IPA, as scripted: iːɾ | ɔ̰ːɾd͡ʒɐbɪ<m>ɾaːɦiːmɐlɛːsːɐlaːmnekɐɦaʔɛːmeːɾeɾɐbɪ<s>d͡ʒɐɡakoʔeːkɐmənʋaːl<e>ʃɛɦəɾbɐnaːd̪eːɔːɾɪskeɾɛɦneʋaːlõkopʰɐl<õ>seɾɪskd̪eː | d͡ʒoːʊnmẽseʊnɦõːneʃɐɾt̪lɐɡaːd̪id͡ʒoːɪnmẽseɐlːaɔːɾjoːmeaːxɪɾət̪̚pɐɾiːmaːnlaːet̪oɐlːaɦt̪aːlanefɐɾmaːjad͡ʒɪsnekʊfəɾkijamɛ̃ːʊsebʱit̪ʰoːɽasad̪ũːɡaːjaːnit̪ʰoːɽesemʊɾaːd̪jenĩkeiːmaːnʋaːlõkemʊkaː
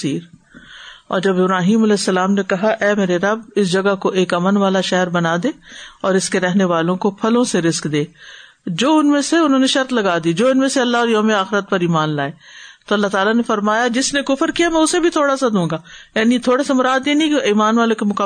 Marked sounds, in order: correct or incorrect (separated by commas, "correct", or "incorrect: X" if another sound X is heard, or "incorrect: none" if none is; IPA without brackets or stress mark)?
incorrect: b, correct, incorrect: a, correct